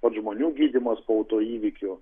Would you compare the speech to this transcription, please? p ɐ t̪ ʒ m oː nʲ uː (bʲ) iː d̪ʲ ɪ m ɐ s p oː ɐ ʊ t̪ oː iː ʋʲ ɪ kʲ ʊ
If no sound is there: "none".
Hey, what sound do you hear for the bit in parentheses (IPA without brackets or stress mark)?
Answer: ɡʲ